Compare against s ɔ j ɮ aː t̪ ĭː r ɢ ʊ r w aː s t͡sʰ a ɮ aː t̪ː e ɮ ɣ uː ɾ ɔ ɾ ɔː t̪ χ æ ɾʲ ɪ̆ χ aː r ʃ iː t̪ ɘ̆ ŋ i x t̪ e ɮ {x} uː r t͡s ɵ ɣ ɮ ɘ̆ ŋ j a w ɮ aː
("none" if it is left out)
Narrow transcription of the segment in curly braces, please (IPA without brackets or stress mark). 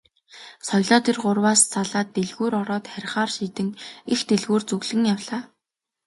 ɣ